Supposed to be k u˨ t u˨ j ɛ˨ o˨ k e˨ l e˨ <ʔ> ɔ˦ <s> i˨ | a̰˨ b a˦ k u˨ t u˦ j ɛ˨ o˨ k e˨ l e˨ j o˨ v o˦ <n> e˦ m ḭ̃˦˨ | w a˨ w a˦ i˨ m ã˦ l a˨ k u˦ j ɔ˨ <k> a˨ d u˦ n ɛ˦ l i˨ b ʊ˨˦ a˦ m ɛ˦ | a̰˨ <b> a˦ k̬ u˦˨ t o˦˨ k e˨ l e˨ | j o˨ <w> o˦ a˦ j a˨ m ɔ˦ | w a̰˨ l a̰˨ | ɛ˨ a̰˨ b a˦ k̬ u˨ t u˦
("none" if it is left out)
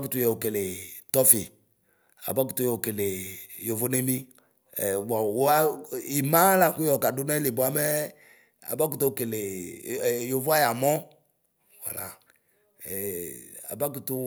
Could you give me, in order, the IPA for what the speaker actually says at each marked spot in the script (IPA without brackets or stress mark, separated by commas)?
t, f, n, k, b, v